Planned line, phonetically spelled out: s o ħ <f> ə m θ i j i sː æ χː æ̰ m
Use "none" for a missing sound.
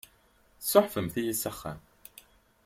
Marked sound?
f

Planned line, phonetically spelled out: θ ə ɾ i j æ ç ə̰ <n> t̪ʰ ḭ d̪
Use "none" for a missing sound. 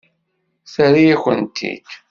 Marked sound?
n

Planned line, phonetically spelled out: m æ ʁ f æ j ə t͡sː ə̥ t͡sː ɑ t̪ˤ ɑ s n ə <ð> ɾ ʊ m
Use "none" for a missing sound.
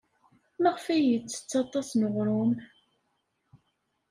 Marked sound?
ʁ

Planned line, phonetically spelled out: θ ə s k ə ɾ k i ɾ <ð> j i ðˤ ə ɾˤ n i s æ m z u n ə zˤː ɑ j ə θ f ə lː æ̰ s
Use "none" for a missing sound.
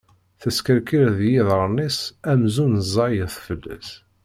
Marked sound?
ð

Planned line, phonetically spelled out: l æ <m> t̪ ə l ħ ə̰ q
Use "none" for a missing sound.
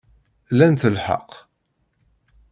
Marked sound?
n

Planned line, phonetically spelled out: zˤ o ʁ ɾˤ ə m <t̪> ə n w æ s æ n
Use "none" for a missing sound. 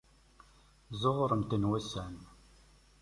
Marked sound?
t̪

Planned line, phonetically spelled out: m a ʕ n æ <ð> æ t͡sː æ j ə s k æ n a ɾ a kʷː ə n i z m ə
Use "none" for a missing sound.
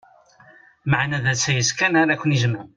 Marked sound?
ð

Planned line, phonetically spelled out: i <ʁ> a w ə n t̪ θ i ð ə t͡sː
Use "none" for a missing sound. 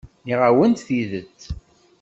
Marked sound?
ʁ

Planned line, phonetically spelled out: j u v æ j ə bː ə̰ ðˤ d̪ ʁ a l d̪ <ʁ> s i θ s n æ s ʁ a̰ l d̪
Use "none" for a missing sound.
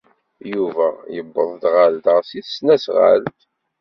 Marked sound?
ʁ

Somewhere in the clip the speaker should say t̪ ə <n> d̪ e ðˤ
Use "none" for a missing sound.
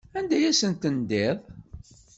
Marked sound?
n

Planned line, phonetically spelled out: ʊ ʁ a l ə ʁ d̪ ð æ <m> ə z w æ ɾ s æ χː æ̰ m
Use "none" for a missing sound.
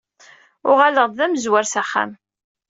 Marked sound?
m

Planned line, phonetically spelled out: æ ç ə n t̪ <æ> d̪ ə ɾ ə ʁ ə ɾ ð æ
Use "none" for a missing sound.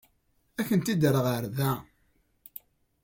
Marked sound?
i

